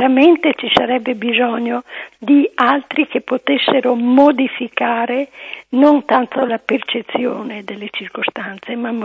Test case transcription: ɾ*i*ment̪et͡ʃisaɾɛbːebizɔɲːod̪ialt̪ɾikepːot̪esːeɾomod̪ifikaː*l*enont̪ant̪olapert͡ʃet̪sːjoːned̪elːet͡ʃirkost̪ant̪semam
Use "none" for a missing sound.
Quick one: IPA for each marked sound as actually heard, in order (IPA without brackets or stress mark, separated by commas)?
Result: a, ɾ